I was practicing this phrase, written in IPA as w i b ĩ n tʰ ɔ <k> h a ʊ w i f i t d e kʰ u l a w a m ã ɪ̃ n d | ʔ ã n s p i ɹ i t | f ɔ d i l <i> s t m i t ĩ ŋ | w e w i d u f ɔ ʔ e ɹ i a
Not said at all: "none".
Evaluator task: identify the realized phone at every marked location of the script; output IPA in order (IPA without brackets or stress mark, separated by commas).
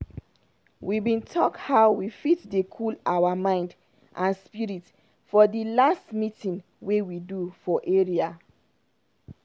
k, a